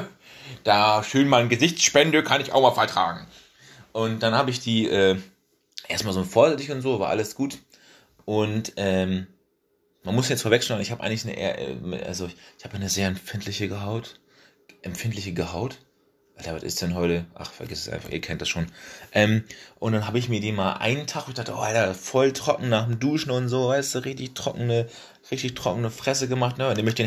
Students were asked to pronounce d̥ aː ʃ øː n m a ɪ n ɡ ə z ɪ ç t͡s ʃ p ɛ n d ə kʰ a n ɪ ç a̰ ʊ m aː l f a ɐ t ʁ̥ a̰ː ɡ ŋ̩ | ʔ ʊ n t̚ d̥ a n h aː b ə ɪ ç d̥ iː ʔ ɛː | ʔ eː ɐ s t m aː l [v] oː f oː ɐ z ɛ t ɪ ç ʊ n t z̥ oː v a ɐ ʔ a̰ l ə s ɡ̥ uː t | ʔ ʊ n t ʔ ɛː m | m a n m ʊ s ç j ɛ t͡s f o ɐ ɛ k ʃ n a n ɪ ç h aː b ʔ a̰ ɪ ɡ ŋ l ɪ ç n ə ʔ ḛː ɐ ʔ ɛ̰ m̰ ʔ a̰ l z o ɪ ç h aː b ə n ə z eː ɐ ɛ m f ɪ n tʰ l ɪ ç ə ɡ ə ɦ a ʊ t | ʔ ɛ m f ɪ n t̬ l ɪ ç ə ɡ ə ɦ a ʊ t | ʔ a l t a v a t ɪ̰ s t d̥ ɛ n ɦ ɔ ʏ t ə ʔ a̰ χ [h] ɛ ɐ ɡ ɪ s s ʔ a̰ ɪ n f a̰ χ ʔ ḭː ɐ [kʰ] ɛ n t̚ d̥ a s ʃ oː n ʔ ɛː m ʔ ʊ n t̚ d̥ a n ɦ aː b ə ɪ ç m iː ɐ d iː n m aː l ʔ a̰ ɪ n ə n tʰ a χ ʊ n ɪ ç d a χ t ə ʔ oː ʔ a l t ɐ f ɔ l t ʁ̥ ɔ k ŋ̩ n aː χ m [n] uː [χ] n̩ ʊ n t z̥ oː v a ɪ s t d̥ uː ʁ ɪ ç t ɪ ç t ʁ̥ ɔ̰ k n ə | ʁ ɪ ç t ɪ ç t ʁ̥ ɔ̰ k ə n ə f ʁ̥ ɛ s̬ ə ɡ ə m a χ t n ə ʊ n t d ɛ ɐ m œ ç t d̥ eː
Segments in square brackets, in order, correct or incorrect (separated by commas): incorrect, incorrect, correct, incorrect, incorrect